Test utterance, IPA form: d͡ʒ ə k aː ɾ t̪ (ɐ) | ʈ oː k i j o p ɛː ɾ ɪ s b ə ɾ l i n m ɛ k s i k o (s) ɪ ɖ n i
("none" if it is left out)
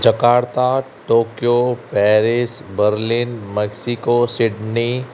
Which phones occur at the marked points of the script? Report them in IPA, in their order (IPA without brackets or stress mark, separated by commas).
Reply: a, s